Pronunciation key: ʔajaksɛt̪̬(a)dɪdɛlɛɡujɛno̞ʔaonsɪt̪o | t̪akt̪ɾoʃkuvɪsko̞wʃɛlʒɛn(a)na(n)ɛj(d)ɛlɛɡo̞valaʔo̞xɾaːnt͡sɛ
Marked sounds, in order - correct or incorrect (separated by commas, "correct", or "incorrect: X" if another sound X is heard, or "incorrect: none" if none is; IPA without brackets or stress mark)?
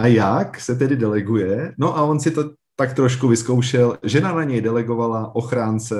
incorrect: ɛ, correct, incorrect: ɲ, correct